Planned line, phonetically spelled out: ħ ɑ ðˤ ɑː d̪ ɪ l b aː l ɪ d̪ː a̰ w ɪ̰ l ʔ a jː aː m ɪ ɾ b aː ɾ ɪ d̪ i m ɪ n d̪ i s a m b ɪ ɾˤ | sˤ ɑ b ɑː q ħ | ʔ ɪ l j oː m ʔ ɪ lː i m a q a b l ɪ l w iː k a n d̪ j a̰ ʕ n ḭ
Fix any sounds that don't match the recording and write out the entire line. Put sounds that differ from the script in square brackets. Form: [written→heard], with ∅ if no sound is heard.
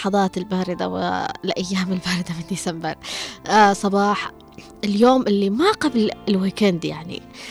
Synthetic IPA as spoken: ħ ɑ ðˤ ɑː [d̪→t̪] ɪ l b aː [l→ɾ] ɪ [d̪ː→d̪] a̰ w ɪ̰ l ʔ a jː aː m ɪ [ɾ→l] b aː ɾ ɪ d̪ [i→a] m ɪ n d̪ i s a m b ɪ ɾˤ | sˤ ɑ b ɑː [q→∅] ħ | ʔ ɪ l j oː m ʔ ɪ lː i m a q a b l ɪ l w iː k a n d̪ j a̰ ʕ n ḭ